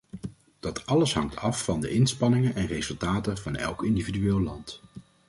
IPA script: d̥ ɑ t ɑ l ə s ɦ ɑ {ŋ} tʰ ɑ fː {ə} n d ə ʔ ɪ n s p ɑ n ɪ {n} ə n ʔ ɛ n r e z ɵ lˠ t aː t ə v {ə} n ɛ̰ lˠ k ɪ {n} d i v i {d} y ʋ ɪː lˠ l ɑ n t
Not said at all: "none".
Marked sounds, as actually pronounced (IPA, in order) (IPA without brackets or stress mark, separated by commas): ŋ, ɑ, ŋ, ɑ, n, d